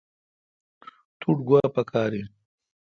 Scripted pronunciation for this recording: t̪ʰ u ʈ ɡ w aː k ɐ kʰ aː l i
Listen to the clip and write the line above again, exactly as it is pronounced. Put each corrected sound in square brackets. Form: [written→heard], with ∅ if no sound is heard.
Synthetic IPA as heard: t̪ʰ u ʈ ɡ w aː [k→p] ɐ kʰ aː [l→ɾ] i